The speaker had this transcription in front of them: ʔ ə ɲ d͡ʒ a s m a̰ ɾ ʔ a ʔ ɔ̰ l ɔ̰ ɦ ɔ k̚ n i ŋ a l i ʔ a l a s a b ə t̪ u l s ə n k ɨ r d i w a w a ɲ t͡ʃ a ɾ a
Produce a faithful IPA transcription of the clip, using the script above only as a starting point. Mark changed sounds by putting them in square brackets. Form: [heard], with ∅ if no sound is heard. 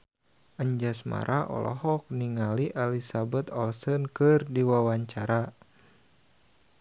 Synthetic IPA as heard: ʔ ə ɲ d͡ʒ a s m a̰ ɾ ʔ a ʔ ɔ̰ l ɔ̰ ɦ ɔ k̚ n i ŋ a l i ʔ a l [i] s a b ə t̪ [ɔ] l s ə n k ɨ r d i w a w a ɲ t͡ʃ a ɾ a